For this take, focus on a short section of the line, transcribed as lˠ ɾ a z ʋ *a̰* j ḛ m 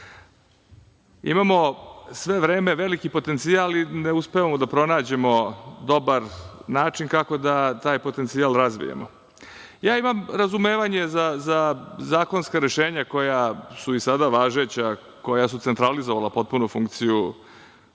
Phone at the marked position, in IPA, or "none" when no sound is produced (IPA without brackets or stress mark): ḭ